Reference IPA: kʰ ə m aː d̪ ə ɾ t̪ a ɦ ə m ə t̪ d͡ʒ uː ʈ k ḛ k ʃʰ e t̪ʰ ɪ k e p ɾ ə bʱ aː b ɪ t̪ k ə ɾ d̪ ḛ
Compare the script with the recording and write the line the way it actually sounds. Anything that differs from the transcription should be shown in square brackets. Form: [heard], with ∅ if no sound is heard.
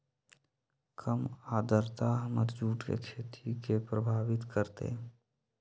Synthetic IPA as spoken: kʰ ə m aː d̪ ə ɾ t̪ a ɦ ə m ə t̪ d͡ʒ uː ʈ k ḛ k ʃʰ e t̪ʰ [i] k e p ɾ ə bʱ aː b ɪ t̪ k ə ɾ [t̪] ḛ